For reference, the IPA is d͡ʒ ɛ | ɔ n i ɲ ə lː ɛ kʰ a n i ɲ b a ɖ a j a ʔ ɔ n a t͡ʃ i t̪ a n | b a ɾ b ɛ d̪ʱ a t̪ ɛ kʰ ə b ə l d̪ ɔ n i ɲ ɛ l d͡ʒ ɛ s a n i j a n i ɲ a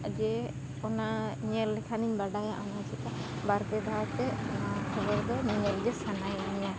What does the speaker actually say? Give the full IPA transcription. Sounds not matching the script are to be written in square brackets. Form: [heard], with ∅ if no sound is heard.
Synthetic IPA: d͡ʒ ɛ | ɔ n [a] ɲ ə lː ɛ kʰ a n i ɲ b a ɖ a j a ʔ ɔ n a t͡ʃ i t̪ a [∅] | b a ɾ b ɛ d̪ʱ a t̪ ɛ kʰ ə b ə [ɾ] d̪ ɔ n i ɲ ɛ l d͡ʒ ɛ s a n [a] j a n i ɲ a